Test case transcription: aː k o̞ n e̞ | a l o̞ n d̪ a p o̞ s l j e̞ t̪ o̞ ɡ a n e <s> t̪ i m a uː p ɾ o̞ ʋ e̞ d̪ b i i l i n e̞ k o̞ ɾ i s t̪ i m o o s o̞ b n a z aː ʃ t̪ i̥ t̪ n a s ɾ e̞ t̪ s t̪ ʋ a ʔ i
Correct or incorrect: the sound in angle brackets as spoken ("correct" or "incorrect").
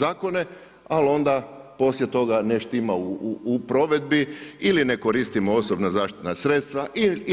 incorrect